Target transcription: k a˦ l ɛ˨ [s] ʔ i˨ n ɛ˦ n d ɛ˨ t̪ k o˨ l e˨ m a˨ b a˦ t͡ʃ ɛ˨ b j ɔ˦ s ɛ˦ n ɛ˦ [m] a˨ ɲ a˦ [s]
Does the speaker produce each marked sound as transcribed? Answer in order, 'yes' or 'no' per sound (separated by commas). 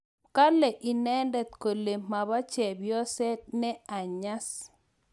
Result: no, no, yes